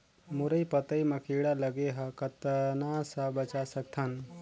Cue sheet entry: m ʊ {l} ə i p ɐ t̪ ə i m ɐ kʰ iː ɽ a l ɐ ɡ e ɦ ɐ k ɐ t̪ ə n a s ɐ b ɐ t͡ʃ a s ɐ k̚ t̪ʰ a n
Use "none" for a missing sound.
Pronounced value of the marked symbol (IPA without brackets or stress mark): ɾ